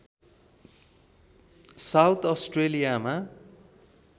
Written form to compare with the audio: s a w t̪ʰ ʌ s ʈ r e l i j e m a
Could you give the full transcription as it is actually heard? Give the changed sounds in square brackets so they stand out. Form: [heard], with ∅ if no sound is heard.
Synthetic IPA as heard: s a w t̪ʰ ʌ s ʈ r e l i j [a] m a